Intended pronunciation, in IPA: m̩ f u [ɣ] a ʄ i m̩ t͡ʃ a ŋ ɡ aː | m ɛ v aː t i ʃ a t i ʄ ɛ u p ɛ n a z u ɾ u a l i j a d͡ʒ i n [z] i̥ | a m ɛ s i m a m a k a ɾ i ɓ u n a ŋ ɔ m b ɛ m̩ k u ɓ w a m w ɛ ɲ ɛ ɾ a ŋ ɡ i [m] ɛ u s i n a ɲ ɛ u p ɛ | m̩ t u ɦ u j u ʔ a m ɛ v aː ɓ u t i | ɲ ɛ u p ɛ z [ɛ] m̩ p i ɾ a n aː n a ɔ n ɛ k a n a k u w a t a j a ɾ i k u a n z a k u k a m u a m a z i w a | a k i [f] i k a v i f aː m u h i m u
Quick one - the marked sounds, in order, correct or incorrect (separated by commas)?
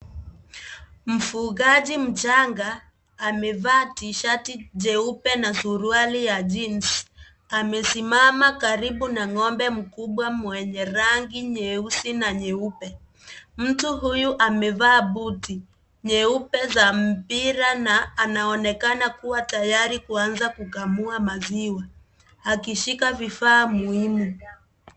correct, incorrect, incorrect, incorrect, incorrect